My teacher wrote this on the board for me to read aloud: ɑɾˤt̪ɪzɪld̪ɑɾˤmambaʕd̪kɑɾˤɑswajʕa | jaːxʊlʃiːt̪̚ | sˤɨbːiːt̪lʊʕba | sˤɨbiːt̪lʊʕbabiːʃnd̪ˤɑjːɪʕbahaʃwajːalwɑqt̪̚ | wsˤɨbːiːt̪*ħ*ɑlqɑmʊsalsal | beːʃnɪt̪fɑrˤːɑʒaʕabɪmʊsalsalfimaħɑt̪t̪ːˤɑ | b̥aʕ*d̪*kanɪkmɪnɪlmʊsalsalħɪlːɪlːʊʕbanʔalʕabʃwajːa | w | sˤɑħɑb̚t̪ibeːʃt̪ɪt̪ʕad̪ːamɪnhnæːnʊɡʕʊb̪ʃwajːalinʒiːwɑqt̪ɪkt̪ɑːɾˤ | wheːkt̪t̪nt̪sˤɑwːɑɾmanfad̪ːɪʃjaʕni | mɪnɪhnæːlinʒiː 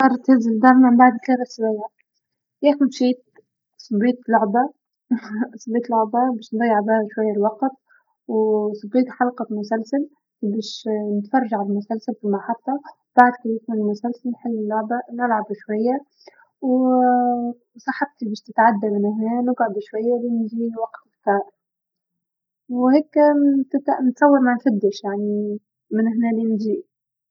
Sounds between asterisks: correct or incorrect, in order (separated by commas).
correct, correct